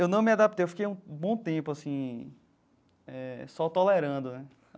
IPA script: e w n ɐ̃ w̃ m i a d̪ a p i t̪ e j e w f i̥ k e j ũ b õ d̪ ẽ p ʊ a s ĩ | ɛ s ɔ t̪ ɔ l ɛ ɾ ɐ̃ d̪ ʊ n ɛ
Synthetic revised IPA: e w n ɐ̃ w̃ m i a d̪ a p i t̪ e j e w f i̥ k e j ũ b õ t̪ ẽ p ʊ a s ĩ | ɛ s ɔ t̪ ɔ l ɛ ɾ ɐ̃ d̪ ʊ n ɛ